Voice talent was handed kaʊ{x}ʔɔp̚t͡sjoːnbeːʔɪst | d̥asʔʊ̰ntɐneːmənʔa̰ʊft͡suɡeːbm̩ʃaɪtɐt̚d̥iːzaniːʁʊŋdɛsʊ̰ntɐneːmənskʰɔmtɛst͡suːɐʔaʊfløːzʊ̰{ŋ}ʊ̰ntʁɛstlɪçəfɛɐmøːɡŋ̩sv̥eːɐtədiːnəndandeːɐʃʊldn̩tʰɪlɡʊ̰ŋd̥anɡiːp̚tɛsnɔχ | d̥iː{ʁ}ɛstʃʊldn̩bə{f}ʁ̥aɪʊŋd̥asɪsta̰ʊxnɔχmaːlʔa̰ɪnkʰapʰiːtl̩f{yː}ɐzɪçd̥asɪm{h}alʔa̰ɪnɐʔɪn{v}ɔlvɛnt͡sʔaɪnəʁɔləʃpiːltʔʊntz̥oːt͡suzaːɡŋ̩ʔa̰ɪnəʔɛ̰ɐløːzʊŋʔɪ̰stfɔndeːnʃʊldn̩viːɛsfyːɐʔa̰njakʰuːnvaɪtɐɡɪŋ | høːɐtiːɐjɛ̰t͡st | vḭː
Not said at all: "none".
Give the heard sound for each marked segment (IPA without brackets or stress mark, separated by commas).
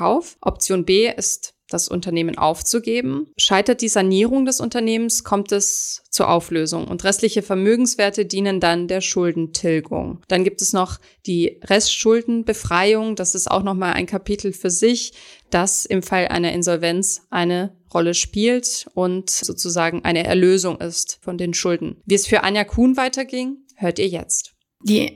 f, ŋ, ʁ, f, yː, f, z